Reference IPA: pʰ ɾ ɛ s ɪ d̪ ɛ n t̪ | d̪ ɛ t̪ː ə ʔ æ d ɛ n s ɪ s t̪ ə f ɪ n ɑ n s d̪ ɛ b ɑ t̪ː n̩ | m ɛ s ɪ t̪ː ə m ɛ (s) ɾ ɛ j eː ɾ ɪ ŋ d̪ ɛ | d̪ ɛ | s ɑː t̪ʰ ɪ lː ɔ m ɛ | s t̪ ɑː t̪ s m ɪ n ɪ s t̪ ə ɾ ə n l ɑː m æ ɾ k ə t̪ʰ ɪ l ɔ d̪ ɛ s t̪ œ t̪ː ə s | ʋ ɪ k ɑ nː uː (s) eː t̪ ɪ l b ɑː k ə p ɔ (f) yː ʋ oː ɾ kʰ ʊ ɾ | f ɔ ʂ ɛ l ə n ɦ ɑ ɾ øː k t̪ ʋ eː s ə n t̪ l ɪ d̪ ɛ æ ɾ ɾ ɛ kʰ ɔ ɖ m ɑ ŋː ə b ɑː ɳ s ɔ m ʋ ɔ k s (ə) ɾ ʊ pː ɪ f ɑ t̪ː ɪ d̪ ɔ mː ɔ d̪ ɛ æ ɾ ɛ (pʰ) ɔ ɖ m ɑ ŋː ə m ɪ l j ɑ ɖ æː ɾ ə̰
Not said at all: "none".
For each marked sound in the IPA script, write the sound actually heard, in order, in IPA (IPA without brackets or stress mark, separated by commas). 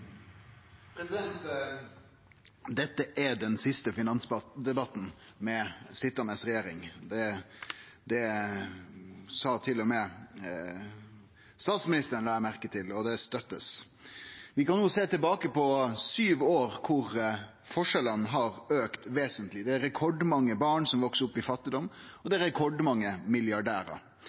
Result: s, s, s, ə, kʰ